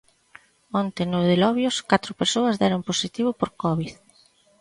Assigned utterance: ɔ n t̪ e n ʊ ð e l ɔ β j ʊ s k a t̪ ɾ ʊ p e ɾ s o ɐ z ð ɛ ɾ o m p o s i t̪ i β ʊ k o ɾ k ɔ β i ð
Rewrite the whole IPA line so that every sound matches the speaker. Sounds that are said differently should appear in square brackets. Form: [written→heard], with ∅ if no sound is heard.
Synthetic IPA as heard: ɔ n t̪ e n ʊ ð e l ɔ β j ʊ s k a t̪ ɾ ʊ p e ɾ s o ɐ z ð ɛ ɾ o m p o s i t̪ i β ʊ [k→p] o ɾ k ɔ β i ð